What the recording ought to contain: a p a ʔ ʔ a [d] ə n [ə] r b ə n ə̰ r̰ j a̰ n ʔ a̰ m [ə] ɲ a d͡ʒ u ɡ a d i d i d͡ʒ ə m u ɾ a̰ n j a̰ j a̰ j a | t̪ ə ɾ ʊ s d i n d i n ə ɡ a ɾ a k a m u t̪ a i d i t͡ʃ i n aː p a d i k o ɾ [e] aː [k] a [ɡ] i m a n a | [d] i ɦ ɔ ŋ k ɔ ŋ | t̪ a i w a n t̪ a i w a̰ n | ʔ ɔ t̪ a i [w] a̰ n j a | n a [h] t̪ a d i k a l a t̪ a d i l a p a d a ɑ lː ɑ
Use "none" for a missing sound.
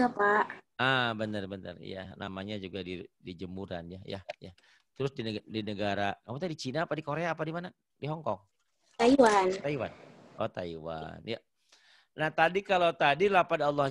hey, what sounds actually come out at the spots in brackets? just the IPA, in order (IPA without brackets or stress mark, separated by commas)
b, ə, a, e, p, d, d, w, h